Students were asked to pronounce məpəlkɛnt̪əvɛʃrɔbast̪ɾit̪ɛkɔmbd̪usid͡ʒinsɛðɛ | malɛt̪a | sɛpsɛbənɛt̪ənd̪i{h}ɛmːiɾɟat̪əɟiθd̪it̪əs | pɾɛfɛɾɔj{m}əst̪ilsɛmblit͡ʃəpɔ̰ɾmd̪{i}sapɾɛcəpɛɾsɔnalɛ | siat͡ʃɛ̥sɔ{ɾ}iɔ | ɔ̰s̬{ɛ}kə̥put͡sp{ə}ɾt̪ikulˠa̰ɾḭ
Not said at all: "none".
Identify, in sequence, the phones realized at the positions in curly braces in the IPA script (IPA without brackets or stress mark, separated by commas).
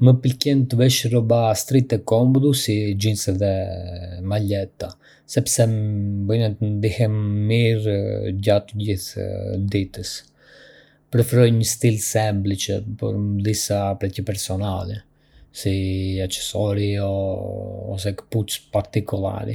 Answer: h, ɲ, i, ɾ, ɛ, a